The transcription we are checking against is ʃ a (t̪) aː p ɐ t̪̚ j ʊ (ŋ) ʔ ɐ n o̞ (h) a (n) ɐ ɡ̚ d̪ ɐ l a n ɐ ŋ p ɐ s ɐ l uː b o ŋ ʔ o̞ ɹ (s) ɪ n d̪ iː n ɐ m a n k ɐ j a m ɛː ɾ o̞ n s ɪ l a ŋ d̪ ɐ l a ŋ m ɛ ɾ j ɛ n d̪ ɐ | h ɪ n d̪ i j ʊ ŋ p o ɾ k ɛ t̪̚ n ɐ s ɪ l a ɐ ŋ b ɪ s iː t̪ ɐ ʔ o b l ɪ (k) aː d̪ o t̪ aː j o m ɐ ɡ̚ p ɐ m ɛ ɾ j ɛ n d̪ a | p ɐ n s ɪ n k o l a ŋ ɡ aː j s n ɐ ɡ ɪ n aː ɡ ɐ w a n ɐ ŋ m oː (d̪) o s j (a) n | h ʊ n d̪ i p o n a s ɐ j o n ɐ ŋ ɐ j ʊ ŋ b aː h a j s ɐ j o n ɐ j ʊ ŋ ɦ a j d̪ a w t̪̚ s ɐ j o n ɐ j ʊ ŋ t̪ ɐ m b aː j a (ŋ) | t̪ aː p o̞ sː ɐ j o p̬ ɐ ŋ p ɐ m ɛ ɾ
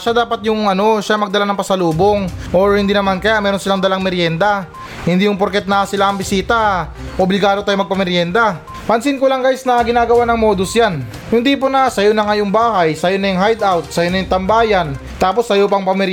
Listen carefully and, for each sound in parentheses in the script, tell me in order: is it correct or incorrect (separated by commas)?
incorrect, correct, incorrect, incorrect, incorrect, incorrect, correct, correct, incorrect